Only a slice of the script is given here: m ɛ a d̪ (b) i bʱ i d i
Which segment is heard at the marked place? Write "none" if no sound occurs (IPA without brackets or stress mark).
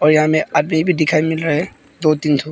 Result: m